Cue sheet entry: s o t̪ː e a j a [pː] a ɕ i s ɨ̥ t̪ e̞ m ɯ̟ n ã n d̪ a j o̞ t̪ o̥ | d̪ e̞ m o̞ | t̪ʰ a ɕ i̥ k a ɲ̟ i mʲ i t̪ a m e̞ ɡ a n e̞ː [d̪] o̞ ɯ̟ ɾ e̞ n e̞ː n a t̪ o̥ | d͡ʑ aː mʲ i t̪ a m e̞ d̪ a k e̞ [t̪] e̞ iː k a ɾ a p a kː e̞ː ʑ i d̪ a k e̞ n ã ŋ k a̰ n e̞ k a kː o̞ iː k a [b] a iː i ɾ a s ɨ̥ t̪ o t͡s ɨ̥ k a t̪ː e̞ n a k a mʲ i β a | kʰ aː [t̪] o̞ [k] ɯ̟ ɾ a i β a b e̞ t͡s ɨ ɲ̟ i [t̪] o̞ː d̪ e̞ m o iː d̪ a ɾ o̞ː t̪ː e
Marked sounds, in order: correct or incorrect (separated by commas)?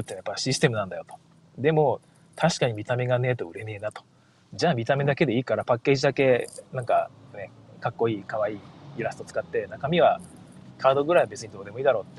correct, incorrect, incorrect, incorrect, incorrect, incorrect, incorrect